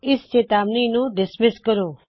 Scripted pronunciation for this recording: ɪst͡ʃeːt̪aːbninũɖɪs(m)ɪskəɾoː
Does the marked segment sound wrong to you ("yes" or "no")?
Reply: no